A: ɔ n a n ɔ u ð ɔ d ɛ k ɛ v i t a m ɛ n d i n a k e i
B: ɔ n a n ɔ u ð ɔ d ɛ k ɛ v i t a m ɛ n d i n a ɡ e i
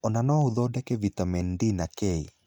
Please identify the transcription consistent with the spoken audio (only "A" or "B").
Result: A